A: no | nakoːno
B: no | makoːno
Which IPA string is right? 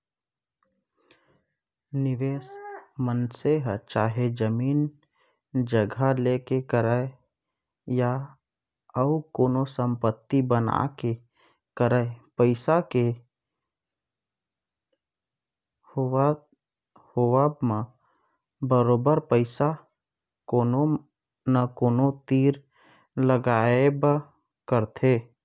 A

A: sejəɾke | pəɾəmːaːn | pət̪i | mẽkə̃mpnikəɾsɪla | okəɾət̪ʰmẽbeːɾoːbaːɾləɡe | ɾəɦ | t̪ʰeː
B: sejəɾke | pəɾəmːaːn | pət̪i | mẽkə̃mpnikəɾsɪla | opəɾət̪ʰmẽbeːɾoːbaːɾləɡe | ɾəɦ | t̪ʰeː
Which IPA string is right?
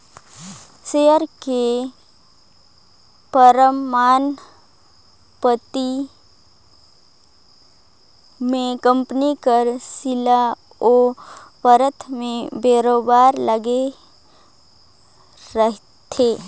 B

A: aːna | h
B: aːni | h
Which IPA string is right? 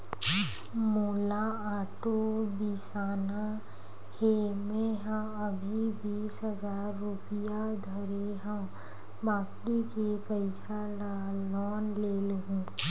A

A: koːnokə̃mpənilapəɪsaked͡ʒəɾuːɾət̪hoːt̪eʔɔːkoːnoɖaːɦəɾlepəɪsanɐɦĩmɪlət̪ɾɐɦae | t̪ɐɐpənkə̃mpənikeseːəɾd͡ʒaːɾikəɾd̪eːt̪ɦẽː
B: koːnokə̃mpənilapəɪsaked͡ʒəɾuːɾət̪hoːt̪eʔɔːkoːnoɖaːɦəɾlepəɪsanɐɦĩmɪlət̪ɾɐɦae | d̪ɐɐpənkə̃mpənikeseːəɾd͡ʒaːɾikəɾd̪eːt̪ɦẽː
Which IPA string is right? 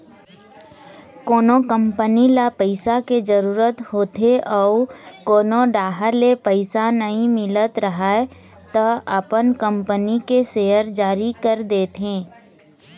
A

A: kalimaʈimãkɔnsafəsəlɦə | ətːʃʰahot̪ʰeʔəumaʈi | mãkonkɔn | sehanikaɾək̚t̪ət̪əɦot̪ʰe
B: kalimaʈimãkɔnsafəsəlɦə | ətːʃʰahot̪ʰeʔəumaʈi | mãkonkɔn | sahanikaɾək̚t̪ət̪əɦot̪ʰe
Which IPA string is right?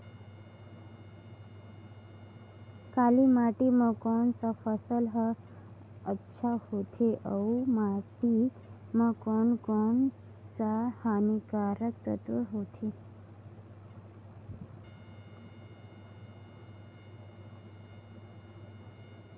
B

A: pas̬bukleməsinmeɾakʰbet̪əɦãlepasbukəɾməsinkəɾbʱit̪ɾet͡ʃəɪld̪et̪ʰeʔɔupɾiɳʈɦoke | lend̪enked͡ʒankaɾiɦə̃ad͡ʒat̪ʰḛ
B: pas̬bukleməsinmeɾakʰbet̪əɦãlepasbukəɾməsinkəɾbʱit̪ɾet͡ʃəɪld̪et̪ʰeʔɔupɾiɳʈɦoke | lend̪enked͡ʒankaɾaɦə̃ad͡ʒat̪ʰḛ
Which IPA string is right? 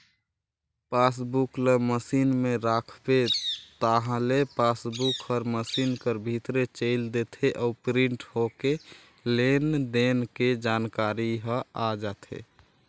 A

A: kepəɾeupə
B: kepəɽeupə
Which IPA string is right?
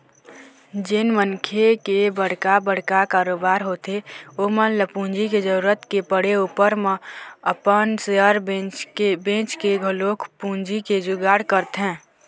B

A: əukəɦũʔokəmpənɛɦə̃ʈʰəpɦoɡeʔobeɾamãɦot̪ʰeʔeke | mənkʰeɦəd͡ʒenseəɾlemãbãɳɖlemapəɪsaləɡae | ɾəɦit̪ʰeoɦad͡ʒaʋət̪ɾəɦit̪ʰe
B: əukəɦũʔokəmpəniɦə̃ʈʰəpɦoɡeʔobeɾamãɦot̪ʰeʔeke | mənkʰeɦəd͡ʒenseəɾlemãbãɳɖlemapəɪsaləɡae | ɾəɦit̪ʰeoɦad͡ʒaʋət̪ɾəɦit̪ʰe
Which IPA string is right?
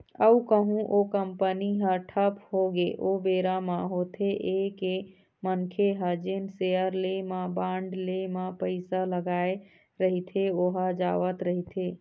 B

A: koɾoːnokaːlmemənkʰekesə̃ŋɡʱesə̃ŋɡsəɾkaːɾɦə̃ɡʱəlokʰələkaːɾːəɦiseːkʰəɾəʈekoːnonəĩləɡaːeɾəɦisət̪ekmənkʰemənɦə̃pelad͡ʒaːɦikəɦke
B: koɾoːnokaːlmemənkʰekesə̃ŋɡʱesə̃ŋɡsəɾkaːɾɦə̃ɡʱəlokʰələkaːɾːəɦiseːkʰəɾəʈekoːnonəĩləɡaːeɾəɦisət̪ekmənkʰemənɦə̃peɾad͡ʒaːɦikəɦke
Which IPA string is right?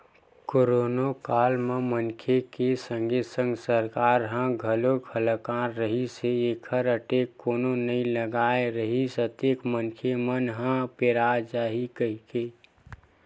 B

